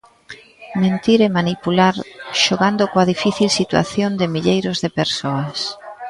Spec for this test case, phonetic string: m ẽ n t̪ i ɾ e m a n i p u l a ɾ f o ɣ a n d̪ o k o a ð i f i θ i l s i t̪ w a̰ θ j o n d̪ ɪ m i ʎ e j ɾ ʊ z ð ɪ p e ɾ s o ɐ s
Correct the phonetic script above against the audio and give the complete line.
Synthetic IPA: m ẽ n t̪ i ɾ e m a n i p u l a ɾ ʃ o ɣ a n d̪ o k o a ð i f i θ i l s i t̪ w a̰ θ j o n d̪ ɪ m i ʎ e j ɾ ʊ z ð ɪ p e ɾ s o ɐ s